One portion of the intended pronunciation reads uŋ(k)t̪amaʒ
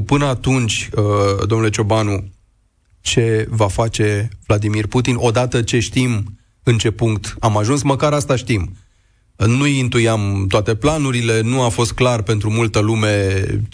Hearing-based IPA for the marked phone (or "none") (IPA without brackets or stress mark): k